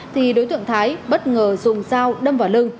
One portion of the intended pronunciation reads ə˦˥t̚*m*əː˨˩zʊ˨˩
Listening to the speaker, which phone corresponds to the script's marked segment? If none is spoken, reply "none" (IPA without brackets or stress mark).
ŋ